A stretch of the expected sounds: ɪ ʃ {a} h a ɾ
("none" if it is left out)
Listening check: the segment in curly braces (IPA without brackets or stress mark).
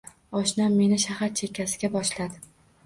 a